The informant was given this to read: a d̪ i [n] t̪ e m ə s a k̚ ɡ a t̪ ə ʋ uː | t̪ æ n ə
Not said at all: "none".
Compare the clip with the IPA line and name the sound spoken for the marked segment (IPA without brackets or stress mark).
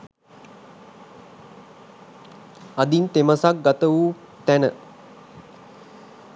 n